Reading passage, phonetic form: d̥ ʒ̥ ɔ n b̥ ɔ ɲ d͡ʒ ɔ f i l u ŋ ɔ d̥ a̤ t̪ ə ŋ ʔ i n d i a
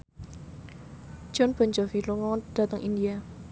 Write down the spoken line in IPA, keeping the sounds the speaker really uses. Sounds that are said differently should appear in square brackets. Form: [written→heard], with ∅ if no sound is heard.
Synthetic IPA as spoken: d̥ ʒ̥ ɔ n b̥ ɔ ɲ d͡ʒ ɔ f i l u ŋ ɔ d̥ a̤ t̪ ə ŋ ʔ i n d i a